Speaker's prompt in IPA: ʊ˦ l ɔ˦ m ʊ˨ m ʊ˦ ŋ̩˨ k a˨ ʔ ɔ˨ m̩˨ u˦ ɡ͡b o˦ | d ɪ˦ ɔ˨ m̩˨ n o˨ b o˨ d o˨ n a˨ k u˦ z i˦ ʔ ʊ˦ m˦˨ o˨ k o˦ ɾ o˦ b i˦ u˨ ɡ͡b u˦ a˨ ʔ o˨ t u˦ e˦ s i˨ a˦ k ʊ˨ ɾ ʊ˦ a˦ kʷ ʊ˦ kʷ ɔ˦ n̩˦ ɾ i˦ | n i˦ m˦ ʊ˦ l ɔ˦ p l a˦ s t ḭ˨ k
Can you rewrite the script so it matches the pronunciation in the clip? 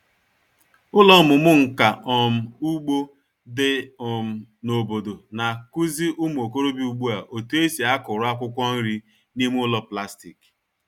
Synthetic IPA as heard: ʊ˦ l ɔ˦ m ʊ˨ m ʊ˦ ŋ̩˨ k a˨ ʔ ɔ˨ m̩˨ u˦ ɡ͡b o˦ | d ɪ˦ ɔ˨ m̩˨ n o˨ b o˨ d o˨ n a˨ k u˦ z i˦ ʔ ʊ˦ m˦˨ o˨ k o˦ ɾ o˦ b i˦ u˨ ɡ͡b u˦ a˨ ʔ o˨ t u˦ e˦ s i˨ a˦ k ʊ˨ ɾ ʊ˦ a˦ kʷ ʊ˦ kʷ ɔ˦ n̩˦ ɾ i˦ | n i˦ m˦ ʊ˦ l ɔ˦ p l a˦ s t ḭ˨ k

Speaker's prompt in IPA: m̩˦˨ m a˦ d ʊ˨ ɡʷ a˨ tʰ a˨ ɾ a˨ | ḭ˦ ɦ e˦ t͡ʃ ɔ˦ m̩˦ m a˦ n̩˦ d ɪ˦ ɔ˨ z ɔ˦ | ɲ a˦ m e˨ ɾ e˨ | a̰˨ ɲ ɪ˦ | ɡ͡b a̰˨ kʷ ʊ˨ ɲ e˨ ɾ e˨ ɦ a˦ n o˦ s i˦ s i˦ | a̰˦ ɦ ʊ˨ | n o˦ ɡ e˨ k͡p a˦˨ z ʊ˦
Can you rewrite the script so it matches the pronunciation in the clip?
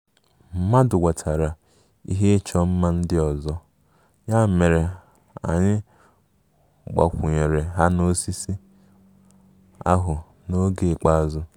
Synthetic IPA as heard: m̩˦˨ m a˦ d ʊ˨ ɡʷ a˨ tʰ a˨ ɾ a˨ | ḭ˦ ɦ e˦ t͡ʃ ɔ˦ m̩˦ m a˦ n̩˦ d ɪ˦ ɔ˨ z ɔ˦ | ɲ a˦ m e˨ ɾ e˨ | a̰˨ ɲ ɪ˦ | ɡ͡b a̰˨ kʷ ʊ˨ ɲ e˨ ɾ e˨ ɦ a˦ n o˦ s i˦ s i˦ | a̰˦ ɦ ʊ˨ | n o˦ ɡ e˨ k͡p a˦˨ z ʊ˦

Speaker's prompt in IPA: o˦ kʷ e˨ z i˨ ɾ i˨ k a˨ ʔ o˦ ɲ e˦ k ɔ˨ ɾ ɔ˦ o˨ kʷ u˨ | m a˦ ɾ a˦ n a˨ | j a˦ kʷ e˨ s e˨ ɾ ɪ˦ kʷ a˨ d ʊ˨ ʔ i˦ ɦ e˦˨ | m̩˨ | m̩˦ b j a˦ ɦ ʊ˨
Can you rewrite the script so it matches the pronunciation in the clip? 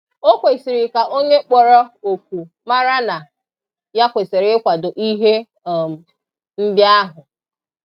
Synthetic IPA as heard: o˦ kʷ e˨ s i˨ ɾ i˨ k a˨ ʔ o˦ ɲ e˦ k͡p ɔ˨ ɾ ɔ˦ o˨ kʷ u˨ | m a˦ ɾ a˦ n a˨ | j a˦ kʷ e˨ s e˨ ɾ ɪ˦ kʷ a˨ d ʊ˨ ʔ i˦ ɦ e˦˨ | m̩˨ | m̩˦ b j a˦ ɦ ʊ˨

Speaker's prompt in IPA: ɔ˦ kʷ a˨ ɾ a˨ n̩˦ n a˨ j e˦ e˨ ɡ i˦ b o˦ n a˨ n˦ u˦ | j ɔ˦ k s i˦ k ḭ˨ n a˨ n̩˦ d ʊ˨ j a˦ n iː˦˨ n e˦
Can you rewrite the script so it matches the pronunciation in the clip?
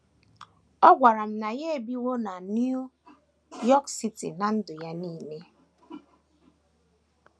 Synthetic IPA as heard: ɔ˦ ɡʷ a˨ ɾ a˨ m̩˦ n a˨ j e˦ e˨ b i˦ w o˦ n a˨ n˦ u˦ | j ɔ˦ k s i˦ t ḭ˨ n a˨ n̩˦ d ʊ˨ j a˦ n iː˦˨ n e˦

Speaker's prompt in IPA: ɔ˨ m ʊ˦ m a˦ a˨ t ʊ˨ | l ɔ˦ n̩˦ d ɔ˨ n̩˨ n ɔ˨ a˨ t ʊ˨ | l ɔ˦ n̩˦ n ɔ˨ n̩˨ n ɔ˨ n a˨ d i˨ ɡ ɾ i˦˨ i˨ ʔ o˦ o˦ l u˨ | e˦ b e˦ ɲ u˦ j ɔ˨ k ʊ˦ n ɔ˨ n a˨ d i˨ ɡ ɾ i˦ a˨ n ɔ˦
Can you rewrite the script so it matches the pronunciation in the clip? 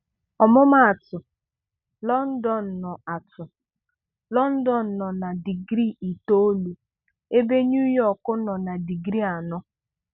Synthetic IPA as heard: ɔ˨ m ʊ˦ m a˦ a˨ t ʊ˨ | l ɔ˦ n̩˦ d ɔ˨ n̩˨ n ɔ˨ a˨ t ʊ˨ | l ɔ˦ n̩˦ d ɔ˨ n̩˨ n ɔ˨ n a˨ d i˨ ɡ ɾ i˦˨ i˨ t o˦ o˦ l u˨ | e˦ b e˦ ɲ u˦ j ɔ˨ k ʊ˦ n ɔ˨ n a˨ d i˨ ɡ ɾ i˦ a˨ n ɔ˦

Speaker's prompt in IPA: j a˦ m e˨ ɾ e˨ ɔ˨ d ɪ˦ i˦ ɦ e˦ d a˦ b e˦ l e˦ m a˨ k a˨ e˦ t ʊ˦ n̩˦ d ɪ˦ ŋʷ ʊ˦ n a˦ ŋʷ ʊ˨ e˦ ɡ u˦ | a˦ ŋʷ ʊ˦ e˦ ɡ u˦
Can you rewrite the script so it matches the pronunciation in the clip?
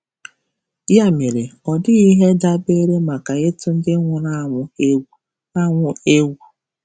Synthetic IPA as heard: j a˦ m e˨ ɾ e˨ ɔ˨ d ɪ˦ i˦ ɦ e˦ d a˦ b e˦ ɾ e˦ m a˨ k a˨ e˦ t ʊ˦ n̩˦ d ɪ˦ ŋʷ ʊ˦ n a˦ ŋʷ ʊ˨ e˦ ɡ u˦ | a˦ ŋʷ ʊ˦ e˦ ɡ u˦

